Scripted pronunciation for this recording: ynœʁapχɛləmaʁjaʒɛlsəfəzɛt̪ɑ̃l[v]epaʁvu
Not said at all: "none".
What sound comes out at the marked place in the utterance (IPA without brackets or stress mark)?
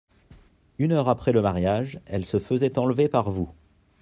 v